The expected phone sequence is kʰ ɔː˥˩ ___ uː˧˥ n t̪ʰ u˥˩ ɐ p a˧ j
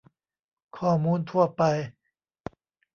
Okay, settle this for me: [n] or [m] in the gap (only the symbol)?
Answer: m